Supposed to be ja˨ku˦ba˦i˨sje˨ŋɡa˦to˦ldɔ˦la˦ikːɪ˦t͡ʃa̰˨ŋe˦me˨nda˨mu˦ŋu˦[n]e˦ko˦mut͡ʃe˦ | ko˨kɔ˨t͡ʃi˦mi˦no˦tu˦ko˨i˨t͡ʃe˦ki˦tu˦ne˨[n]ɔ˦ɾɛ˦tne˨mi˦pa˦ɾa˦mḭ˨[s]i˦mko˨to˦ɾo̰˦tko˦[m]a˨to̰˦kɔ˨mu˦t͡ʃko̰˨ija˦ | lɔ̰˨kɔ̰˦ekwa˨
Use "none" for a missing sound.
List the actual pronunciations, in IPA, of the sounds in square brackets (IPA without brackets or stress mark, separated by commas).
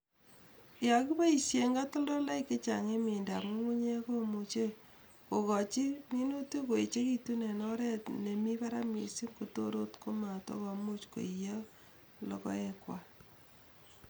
ɲ, n, s, m